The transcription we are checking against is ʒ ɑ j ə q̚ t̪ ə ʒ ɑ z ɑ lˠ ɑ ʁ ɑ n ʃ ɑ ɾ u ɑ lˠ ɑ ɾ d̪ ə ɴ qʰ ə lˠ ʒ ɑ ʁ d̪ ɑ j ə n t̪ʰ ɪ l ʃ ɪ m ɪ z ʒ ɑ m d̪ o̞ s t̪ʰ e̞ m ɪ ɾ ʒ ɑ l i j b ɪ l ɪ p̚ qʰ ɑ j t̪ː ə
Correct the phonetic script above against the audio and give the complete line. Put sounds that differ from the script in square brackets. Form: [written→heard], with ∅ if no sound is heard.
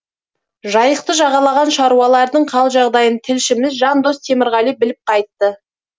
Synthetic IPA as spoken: ʒ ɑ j ə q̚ t̪ ə ʒ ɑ [z→ʁ] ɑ lˠ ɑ ʁ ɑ n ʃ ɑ ɾ u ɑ lˠ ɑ ɾ d̪ ə ɴ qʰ [ə→ɑ] lˠ ʒ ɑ ʁ d̪ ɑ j ə n t̪ʰ ɪ l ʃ ɪ m ɪ z ʒ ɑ [m→n] d̪ o̞ s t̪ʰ e̞ m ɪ ɾ [ʒ→ʁ] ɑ l i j b ɪ l ɪ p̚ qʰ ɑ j t̪ː ə